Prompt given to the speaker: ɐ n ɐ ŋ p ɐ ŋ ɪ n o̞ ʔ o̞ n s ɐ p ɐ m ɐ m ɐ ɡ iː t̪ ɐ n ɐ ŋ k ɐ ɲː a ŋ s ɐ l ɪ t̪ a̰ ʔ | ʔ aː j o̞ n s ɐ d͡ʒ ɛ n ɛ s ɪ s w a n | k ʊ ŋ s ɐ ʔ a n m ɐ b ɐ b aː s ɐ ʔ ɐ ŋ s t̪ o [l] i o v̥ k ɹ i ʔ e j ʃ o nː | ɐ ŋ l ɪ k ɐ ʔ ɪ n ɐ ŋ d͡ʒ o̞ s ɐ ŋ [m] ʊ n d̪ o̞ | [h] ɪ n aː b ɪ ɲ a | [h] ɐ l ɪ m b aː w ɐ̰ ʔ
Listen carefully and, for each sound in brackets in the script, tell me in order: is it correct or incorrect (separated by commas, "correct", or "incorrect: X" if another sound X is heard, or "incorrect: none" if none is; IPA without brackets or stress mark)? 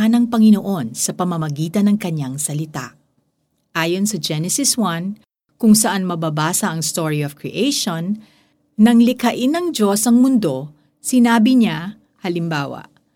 incorrect: ɹ, correct, incorrect: s, correct